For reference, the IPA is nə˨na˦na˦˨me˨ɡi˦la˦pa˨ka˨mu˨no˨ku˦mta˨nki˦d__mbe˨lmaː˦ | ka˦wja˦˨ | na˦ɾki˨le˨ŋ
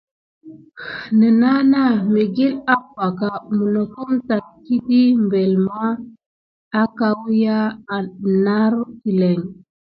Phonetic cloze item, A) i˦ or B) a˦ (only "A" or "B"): A